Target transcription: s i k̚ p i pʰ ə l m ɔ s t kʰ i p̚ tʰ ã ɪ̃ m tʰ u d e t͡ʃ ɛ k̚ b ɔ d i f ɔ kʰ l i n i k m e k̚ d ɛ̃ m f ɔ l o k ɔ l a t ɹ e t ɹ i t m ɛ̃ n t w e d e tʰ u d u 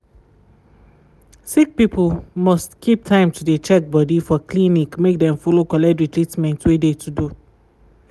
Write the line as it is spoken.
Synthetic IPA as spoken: s i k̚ p i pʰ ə l m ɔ s t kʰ i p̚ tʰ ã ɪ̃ m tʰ u d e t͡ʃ ɛ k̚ b ɔ d i f ɔ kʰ l i n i k m e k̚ d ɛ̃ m f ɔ l o k ɔ l ɛ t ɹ i t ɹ i t m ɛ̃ n t w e d e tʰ u d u